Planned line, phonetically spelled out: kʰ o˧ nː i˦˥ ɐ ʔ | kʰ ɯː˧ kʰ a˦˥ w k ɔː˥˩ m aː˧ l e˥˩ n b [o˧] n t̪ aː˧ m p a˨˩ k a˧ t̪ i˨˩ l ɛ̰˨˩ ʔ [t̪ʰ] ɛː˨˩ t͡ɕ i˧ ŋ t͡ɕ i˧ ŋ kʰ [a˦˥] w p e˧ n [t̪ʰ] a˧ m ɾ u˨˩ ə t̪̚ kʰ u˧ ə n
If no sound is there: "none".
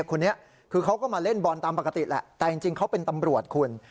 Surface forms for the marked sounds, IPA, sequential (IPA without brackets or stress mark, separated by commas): ɔ˧, t̪, a˦˥, t̪